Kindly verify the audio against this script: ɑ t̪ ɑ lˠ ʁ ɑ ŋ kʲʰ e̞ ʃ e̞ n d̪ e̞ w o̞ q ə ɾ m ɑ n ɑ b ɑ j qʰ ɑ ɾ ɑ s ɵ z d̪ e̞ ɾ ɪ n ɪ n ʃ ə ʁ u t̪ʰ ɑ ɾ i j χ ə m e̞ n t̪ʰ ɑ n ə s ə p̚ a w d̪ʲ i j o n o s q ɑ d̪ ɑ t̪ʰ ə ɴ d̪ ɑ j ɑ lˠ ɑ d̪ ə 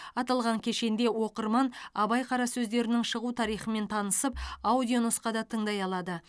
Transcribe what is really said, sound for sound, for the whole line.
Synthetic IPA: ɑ t̪ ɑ lˠ ʁ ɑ ŋ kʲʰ e̞ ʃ e̞ n d̪ e̞ w o̞ q ə ɾ m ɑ n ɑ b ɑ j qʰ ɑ ɾ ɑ s ɵ z d̪ e̞ ɾ ɪ n ɪ ŋ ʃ ə ʁ u t̪ʰ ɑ ɾ i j χ ə m e̞ n t̪ʰ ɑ n ə s ə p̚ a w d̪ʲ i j o n o s q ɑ d̪ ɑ t̪ʰ ə ɴ d̪ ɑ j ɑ lˠ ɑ d̪ ə